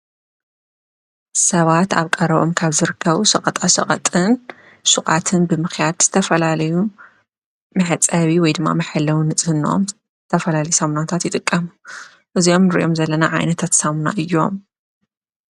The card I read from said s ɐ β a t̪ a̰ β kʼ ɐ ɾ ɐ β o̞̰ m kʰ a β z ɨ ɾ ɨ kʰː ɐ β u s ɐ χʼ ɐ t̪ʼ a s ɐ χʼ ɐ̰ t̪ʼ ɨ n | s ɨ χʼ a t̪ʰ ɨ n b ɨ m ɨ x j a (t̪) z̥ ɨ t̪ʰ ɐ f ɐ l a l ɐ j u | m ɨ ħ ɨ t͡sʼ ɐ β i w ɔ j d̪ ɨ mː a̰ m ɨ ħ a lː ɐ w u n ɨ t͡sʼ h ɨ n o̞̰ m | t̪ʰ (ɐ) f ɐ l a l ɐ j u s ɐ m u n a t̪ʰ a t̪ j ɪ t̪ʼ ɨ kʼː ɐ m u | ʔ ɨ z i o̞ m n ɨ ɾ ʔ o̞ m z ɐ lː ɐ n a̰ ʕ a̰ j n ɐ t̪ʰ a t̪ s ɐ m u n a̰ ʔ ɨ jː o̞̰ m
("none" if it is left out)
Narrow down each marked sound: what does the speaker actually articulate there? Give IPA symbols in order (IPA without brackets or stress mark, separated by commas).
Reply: d̪, ɐ